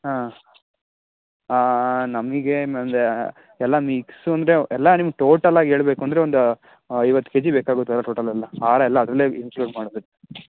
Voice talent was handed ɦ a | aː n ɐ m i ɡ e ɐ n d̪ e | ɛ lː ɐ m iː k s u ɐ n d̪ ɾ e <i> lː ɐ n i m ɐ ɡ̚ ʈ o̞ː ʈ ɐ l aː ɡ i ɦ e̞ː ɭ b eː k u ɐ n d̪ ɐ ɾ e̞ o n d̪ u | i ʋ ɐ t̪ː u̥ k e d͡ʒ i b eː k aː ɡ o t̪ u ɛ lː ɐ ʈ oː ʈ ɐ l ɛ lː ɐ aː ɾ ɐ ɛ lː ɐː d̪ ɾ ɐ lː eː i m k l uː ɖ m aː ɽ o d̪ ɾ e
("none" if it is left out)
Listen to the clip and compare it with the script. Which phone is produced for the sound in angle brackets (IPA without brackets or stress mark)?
ɛ